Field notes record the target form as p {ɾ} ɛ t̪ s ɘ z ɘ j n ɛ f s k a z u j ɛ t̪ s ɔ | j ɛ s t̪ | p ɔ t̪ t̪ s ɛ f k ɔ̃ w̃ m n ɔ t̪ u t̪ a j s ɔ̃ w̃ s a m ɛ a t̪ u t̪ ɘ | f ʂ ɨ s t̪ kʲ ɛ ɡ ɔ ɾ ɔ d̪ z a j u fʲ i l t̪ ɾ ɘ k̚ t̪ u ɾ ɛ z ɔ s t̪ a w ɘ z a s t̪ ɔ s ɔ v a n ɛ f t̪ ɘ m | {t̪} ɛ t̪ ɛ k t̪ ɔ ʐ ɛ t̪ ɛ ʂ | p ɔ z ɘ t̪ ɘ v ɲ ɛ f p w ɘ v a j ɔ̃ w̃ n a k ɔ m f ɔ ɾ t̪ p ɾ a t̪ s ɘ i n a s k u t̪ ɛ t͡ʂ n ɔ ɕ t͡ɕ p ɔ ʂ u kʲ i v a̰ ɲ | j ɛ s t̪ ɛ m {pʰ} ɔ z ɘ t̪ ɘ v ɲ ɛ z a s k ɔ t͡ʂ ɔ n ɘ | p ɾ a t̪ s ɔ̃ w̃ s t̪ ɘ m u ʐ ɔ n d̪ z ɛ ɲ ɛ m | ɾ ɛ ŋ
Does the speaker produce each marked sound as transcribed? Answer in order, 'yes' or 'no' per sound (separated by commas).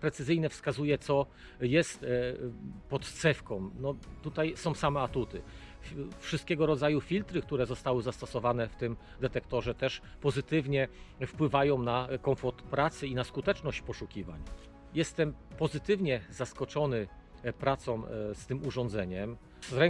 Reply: yes, no, no